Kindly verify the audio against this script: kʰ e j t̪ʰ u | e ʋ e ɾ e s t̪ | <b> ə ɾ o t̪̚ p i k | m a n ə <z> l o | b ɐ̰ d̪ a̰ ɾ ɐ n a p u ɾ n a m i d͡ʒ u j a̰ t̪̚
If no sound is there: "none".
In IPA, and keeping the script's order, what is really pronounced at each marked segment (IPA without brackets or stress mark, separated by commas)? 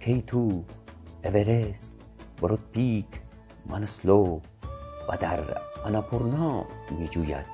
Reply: b, s